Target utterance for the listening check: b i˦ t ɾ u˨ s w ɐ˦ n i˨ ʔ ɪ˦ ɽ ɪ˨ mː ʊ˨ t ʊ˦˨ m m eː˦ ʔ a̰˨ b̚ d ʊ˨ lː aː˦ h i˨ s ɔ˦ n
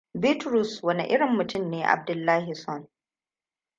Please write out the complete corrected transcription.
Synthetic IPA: b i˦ t ɾ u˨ s w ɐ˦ n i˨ ʔ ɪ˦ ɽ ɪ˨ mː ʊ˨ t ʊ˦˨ m n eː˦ ʔ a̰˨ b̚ d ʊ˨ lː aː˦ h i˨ s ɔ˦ n

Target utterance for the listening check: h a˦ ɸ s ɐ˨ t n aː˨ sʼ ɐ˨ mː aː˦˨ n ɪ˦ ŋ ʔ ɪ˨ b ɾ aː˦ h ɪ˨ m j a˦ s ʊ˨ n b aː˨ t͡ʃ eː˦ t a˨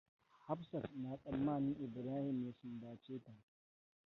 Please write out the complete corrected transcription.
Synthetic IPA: h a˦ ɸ s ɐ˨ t n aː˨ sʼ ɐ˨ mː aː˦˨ n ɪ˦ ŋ ʔ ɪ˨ b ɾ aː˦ h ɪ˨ m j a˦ s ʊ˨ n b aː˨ t͡ʃ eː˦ t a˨

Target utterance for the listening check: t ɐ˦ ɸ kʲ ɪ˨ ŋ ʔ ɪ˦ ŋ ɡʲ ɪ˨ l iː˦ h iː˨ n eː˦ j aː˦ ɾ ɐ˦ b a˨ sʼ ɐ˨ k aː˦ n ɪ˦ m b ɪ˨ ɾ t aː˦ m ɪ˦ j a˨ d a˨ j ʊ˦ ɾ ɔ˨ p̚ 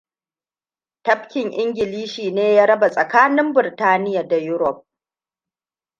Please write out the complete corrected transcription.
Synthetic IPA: t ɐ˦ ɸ kʲ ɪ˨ ŋ ʔ ɪ˦ ŋ ɡʲ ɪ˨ l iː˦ ʃ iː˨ n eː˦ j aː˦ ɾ ɐ˦ b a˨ sʼ ɐ˨ k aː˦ n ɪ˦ m b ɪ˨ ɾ t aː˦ n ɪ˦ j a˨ d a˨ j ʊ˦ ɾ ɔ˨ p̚

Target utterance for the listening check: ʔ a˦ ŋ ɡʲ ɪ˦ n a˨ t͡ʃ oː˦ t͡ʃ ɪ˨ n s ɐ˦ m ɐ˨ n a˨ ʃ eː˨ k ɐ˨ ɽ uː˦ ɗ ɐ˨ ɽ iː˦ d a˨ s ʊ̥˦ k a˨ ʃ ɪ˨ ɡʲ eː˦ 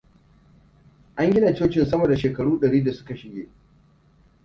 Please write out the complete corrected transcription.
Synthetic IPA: ʔ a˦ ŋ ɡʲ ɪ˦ n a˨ t͡ʃ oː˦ t͡ʃ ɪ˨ n s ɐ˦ m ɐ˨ d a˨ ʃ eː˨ k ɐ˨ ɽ uː˦ ɗ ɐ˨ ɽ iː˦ d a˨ s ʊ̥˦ k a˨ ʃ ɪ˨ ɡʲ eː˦

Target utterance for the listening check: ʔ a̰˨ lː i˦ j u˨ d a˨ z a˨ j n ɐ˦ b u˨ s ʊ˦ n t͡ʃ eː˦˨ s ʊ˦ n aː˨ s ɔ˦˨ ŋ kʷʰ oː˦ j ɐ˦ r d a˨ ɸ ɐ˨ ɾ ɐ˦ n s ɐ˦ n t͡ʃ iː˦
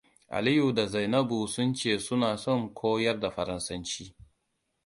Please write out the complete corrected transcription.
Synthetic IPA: ʔ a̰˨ l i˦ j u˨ d a˨ z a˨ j n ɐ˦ b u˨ s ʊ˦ n t͡ʃ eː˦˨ s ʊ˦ n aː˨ s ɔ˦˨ ŋ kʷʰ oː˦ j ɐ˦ r d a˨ ɸ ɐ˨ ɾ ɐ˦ n s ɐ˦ n t͡ʃ iː˦

